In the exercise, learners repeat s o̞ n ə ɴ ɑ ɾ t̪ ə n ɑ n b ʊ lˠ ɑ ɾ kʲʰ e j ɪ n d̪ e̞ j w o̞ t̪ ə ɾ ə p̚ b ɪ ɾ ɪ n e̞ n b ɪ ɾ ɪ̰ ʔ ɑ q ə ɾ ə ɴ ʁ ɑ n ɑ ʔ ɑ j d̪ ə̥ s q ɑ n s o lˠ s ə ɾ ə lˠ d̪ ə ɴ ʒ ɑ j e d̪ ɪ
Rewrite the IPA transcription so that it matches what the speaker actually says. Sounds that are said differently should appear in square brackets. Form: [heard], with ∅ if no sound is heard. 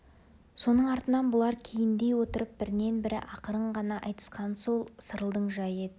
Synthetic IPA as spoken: s o̞ n ə ɴ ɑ ɾ t̪ ə n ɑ n b ʊ lˠ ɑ ɾ kʲʰ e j ɪ n d̪ e̞ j w o̞ t̪ ə ɾ ə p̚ b ɪ ɾ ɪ n e̞ n b ɪ ɾ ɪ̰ ʔ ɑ q ə ɾ ə ɴ ʁ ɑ n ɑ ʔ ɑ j [t̪] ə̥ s q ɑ n s o lˠ s ə ɾ ə lˠ d̪ ə ɴ ʒ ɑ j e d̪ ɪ